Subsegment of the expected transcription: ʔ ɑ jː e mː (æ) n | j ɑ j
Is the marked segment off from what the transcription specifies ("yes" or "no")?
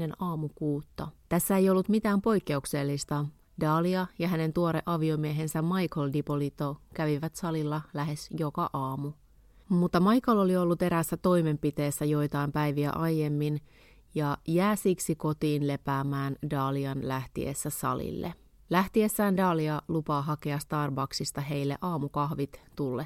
yes